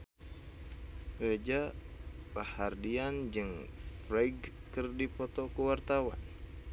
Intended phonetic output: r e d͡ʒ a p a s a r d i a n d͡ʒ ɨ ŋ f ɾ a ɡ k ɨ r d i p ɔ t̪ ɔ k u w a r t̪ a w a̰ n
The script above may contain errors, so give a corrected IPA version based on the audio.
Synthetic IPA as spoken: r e d͡ʒ a p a h a r d i a n d͡ʒ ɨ ŋ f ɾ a ɡ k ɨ r d i p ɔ t̪ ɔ k u w a r t̪ a w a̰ n